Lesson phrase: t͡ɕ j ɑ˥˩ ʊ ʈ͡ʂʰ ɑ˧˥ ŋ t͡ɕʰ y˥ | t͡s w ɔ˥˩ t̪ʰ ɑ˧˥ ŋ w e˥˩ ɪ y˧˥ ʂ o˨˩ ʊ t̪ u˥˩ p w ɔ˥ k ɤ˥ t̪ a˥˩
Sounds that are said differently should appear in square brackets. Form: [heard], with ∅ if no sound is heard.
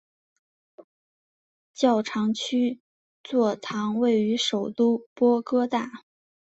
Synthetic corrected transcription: t͡ɕ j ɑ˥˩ ʊ ʈ͡ʂʰ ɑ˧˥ ŋ t͡ɕʰ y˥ | t͡s w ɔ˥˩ t̪ʰ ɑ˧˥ ŋ w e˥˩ ɪ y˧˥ ʂ o˨˩ ʊ t̪ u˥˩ p w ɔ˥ k ɤ˥ t̪ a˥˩